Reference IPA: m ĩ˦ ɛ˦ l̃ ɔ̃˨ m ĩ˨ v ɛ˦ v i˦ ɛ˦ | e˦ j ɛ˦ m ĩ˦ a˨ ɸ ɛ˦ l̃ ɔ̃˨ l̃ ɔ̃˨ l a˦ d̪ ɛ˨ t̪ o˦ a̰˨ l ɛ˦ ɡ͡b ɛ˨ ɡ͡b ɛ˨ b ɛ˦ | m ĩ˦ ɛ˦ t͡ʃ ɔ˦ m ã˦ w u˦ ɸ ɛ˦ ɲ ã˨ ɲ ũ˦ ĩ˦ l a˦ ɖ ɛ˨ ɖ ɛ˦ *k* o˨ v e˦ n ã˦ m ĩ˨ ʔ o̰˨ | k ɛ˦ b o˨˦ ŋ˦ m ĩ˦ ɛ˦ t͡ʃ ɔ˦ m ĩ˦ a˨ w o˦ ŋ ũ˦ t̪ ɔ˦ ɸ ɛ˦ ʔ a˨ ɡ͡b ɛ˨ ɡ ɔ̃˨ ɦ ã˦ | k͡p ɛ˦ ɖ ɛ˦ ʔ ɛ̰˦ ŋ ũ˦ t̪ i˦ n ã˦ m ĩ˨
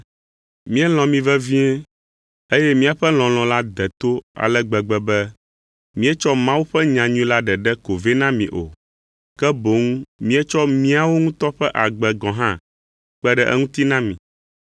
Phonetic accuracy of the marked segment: correct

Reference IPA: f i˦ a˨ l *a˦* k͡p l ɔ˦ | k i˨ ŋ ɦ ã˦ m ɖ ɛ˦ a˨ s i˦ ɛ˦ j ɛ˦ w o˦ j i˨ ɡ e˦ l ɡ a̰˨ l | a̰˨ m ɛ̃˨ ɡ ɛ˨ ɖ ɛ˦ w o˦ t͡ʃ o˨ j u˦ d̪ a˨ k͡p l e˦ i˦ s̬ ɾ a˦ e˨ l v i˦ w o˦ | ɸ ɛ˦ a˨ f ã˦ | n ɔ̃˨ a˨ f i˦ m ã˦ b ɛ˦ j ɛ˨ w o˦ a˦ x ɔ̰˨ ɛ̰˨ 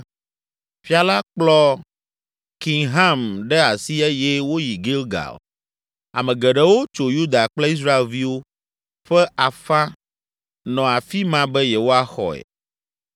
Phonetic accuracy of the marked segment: correct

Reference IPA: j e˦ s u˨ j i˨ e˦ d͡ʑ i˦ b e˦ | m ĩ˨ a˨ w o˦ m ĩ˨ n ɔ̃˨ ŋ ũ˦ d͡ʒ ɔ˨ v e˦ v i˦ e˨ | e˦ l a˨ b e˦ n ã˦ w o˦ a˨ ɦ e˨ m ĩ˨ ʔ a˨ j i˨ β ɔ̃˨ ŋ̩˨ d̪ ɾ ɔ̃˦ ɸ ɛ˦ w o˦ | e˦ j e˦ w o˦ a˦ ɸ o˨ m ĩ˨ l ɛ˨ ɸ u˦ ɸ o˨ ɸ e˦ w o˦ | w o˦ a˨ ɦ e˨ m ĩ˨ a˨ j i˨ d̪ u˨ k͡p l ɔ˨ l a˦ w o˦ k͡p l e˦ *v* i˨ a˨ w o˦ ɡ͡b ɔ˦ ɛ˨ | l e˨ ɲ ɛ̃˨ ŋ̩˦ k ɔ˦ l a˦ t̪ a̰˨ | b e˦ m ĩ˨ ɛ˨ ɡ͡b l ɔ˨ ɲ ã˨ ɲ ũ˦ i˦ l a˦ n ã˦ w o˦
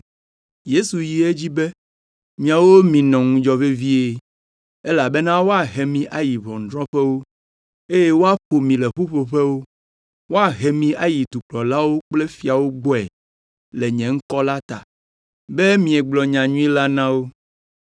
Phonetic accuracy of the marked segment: incorrect: f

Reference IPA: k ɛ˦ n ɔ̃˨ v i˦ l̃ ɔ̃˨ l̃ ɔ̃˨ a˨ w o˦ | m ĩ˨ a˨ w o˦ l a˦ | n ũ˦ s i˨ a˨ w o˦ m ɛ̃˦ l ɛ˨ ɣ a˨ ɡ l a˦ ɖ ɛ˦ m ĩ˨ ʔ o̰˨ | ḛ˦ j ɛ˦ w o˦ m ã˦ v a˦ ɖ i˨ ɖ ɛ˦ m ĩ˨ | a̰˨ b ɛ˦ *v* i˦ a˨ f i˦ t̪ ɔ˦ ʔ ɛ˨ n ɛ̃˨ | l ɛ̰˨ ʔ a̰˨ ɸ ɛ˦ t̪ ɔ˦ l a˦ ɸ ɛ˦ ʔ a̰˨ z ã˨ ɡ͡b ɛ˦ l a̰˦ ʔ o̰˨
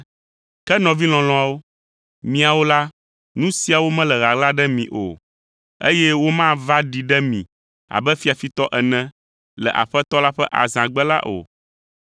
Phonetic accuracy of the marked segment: incorrect: f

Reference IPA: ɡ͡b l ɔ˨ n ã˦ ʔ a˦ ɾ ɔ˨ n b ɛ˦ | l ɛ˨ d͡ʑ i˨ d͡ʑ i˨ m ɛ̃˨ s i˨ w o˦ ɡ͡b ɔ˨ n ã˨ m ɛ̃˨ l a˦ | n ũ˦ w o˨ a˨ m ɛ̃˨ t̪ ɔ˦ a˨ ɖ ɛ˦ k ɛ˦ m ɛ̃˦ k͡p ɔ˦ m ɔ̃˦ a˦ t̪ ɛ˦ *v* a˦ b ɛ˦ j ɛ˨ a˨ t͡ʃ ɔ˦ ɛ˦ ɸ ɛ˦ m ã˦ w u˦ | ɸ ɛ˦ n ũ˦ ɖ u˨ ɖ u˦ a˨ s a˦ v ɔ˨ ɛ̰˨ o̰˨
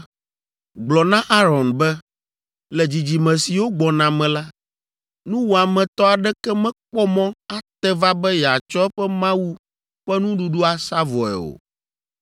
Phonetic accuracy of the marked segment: correct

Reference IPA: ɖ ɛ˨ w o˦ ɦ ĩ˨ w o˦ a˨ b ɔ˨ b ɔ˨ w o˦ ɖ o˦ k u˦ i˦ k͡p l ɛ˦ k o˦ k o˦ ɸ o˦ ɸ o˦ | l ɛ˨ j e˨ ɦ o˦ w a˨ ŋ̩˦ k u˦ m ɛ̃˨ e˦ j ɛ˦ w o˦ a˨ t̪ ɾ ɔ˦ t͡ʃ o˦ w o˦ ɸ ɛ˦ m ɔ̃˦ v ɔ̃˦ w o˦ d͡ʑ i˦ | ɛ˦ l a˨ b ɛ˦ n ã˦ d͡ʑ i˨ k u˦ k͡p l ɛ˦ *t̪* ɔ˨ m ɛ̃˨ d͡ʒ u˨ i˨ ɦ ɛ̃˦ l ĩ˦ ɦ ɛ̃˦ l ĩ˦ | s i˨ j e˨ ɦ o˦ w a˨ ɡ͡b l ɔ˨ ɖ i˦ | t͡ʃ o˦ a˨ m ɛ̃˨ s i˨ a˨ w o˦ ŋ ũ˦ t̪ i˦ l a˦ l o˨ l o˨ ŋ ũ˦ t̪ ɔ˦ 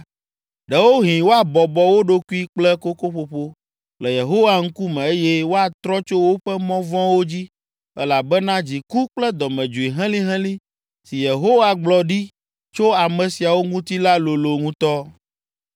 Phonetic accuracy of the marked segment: incorrect: d̪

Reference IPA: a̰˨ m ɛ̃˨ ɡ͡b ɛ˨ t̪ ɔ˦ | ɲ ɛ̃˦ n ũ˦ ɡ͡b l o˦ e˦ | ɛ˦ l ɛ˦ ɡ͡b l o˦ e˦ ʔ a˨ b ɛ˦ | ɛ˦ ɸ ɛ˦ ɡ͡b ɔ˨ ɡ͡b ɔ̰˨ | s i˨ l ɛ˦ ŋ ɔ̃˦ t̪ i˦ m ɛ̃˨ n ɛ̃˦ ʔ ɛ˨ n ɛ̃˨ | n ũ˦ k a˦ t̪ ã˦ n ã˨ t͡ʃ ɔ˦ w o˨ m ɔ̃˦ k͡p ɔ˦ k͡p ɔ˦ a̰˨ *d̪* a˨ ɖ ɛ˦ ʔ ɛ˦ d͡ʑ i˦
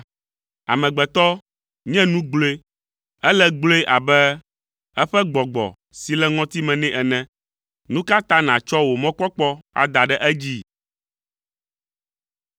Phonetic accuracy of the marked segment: correct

